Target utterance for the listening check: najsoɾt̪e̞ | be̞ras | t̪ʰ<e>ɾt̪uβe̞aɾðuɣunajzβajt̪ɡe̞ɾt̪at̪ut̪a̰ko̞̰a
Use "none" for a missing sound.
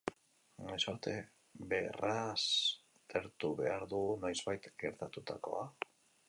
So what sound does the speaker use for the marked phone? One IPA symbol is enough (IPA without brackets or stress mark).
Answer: e